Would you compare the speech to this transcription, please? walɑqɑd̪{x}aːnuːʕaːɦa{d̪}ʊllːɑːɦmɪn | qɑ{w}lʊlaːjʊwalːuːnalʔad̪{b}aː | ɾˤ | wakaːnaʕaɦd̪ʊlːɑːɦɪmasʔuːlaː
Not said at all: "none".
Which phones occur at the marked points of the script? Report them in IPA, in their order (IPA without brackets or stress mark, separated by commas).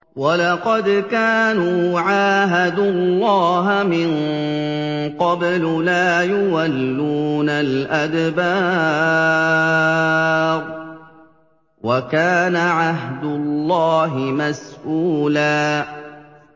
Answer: k, d̪, b, b